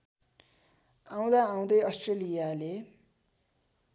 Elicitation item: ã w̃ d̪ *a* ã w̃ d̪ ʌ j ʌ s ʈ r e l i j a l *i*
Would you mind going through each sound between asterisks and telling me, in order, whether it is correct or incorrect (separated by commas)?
correct, incorrect